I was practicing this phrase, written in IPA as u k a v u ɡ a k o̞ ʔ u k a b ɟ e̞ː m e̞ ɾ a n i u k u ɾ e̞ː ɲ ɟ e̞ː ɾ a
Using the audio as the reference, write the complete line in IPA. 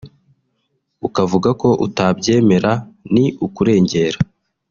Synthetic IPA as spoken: u k a v u ɡ a k o̞ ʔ u t a b ɟ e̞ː m e̞ ɾ a n i u k u ɾ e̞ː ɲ ɟ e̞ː ɾ a